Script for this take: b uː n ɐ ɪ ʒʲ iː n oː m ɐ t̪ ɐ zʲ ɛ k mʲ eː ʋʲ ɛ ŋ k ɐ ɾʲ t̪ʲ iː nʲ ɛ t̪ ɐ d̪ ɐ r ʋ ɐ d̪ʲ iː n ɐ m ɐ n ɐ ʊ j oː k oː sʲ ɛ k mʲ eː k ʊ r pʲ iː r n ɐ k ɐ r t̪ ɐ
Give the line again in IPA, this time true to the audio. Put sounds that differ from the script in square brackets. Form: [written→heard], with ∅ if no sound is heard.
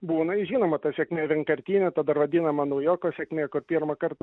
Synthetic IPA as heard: b uː n ɐ ɪ ʒʲ iː n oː m ɐ t̪ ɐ [zʲ→sʲ] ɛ k mʲ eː ʋʲ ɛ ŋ k ɐ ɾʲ t̪ʲ iː nʲ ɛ t̪ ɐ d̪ ɐ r ʋ ɐ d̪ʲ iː n ɐ m ɐ n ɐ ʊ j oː k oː sʲ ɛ k mʲ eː k ʊ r pʲ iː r [n→m] ɐ k ɐ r t̪ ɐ